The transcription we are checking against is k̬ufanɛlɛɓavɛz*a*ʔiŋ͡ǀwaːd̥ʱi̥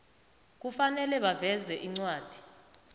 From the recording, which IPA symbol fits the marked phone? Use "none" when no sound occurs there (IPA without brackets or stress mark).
ɛ